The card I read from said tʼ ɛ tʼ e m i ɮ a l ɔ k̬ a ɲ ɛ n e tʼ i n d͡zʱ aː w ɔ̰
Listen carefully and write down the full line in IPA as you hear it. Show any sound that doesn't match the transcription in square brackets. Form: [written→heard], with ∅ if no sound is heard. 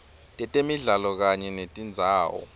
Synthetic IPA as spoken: tʼ ɛ tʼ e m i ɮ a l ɔ k̬ a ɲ ɛ n e tʼ i n d͡zʱ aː w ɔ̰